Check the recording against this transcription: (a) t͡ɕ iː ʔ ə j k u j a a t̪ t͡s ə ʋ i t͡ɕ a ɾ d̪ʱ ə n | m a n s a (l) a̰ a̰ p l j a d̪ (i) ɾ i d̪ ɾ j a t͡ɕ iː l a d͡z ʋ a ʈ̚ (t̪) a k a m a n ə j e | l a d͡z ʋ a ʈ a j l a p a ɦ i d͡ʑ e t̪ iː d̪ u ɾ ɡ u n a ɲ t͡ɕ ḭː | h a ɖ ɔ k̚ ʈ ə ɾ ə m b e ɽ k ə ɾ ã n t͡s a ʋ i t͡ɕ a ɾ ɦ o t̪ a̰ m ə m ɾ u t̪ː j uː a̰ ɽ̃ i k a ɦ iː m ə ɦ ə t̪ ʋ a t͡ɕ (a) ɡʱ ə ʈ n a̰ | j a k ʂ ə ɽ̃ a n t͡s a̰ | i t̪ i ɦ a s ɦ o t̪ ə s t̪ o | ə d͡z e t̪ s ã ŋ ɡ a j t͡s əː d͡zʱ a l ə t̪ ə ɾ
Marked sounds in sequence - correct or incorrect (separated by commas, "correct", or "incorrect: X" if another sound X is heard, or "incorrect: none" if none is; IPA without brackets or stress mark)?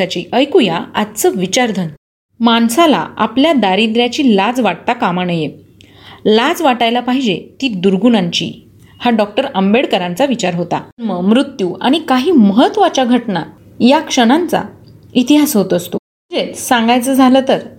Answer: correct, correct, incorrect: a, correct, correct